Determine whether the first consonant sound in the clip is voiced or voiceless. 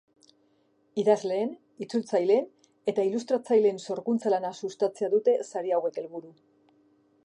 voiced